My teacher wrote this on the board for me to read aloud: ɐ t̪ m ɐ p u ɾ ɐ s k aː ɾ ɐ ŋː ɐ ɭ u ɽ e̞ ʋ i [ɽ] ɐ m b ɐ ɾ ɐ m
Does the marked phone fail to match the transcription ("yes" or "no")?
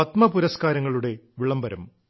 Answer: yes